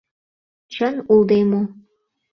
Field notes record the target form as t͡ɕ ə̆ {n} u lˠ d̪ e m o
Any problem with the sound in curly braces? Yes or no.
no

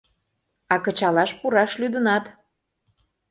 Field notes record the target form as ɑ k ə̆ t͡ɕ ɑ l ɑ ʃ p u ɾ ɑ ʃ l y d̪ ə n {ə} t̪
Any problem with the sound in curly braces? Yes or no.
yes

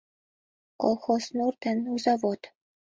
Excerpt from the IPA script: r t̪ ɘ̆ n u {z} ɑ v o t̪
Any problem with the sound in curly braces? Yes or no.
no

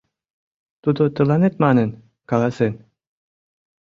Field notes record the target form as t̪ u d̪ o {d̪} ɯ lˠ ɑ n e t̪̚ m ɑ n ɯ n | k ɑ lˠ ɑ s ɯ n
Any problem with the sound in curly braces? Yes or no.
yes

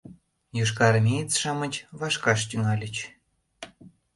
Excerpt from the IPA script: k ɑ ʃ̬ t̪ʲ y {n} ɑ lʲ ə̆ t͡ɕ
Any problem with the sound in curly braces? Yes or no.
yes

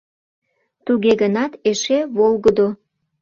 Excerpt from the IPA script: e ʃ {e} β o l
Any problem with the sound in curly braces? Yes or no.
no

